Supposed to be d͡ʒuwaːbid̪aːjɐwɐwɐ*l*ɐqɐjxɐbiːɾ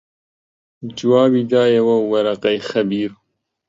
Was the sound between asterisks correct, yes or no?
no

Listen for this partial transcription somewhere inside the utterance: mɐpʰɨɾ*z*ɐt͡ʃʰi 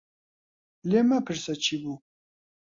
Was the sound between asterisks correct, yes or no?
no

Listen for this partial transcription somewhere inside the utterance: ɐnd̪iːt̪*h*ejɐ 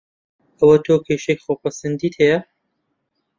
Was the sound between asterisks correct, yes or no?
yes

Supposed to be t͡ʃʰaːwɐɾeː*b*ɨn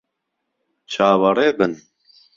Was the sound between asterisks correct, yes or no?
yes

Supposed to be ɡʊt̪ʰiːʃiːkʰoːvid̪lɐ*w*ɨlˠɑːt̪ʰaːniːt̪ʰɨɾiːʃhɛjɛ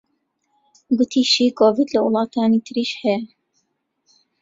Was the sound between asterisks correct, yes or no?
yes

